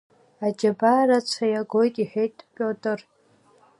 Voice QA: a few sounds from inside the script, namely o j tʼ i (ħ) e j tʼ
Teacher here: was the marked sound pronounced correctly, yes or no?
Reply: yes